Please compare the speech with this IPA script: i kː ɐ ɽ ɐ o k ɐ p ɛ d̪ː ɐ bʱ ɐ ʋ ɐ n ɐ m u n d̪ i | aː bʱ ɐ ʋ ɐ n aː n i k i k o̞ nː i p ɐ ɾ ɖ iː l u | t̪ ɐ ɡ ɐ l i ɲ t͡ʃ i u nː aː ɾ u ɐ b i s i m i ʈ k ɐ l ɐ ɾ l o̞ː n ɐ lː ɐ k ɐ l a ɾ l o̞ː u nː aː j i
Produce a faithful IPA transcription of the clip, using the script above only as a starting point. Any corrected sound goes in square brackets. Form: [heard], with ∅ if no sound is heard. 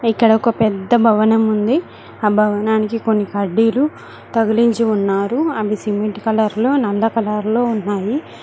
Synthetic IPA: i kː ɐ ɽ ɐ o k ɐ p ɛ d̪ː ɐ bʱ ɐ ʋ ɐ n ɐ m u n d̪ i | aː bʱ ɐ ʋ ɐ n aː n i k i k o̞ nː i [k] ɐ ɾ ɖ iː l u | t̪ ɐ ɡ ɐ l i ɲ t͡ʃ i u nː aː ɾ u ɐ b i s i m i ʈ k ɐ l ɐ ɾ l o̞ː n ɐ lː ɐ k ɐ l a ɾ l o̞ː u nː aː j i

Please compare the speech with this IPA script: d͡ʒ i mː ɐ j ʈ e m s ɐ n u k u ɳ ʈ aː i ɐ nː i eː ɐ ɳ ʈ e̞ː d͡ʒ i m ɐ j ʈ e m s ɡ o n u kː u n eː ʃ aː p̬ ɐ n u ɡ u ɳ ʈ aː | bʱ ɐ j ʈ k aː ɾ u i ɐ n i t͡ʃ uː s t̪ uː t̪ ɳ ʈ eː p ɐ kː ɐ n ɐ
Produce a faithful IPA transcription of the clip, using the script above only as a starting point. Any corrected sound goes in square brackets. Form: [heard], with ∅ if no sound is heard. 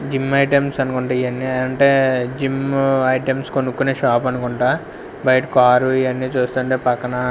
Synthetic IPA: d͡ʒ i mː ɐ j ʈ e m s ɐ n u k u ɳ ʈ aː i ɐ nː i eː ɐ ɳ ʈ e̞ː d͡ʒ i m ɐ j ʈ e m s [k] o n u kː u n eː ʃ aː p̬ ɐ n u [k] u ɳ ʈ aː | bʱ ɐ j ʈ k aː ɾ u i ɐ [nː] i t͡ʃ uː s t̪ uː [∅] ɳ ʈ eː p ɐ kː ɐ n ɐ

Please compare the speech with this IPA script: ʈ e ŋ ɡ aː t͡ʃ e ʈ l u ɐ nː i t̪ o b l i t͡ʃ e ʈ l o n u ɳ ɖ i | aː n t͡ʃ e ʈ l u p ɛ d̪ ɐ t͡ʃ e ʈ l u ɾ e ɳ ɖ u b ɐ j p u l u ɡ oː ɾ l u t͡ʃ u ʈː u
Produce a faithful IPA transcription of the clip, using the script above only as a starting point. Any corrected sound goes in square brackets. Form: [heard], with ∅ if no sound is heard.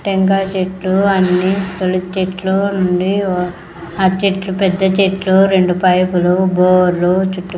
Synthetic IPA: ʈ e ŋ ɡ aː t͡ʃ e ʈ l u ɐ nː i t̪ o [∅] l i t͡ʃ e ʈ l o n u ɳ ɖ i | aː [∅] t͡ʃ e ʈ l u p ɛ [d̪ː] ɐ t͡ʃ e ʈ l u ɾ e ɳ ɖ u [p] ɐ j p u l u [b] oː ɾ l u t͡ʃ u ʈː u

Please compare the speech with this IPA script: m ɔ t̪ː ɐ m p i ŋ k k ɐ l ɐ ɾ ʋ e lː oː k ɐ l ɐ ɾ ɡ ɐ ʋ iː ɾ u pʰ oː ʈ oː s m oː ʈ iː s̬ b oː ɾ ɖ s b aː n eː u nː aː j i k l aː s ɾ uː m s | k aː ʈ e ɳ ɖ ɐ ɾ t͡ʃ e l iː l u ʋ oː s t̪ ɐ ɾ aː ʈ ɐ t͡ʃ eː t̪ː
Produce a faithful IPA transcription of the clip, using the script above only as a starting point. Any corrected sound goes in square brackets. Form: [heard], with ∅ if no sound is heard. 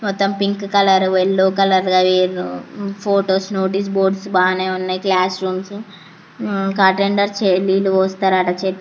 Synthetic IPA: m ɔ t̪ː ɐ m p i ŋ k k ɐ l ɐ ɾ ʋ e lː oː k ɐ l ɐ ɾ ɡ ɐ ʋ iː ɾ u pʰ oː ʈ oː s [n] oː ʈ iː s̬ b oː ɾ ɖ s b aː n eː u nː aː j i k l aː s ɾ uː m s | k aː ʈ e ɳ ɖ ɐ ɾ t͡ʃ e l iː l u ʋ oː s t̪ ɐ ɾ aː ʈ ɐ t͡ʃ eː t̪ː

